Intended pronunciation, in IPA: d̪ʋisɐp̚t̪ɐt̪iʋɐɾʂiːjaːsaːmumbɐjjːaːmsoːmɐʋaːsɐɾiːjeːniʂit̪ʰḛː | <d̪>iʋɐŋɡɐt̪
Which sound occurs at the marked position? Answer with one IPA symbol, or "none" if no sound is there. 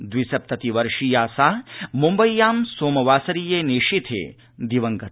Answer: d̪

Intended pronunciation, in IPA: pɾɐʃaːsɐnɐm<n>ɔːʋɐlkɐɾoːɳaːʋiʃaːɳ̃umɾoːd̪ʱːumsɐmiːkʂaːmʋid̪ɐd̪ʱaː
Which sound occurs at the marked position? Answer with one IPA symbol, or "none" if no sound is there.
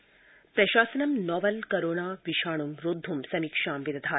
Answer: n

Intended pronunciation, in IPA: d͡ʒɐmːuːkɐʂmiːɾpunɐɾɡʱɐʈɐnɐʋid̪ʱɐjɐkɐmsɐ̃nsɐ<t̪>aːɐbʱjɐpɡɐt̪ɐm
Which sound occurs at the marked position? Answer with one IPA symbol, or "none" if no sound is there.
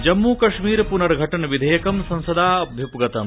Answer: d̪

